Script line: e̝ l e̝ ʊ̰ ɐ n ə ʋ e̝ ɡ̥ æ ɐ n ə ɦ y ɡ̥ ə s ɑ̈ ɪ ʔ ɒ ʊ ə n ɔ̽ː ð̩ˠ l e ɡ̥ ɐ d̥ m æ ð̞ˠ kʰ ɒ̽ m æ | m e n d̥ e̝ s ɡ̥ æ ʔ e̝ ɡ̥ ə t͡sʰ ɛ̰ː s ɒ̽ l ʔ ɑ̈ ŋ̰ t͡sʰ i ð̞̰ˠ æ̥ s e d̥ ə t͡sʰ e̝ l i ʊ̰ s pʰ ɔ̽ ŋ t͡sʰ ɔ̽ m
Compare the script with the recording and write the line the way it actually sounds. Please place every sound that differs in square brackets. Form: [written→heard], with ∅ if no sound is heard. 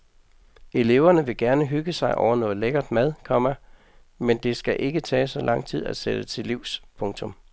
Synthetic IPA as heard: e̝ l e̝ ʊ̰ ɐ n ə ʋ e̝ ɡ̥ æ ɐ n ə ɦ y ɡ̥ ə s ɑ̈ ɪ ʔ ɒ ʊ [ə→ɐ] n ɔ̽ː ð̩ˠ l e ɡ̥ ɐ d̥ m æ ð̞ˠ kʰ ɒ̽ m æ | m e n d̥ e̝ s ɡ̥ æ ʔ e̝ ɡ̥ ə t͡sʰ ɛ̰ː s ɒ̽ l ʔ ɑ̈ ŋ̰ t͡sʰ i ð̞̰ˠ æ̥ s e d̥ ə t͡sʰ e̝ l i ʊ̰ s pʰ ɔ̽ ŋ t͡sʰ ɔ̽ m